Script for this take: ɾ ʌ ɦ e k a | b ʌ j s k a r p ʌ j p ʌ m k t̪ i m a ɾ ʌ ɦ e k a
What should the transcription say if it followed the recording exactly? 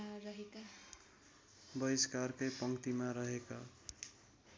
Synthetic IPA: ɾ ʌ ɦ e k a | b ʌ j s k a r k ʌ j p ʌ ŋ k t̪ i m a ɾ ʌ ɦ e k a